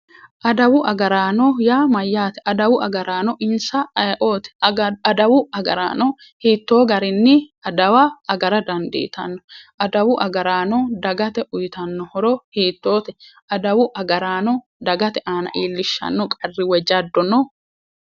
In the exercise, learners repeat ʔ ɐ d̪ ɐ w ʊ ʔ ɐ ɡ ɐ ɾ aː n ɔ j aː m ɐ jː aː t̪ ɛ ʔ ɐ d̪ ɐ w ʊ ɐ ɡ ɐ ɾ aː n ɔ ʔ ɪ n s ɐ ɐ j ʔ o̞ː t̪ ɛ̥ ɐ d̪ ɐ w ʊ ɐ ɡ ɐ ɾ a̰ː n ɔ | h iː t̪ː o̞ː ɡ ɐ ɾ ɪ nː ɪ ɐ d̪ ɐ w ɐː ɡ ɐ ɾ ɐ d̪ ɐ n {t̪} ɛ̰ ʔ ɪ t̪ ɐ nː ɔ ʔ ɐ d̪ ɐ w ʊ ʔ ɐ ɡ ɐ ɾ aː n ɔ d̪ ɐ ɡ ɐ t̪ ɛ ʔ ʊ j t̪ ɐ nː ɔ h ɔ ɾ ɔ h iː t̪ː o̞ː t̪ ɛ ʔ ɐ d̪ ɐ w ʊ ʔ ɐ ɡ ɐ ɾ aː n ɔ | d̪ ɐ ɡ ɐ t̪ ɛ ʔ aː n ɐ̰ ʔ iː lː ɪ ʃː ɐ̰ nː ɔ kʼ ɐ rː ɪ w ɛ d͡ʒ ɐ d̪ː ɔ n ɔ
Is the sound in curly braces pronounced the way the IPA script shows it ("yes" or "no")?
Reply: no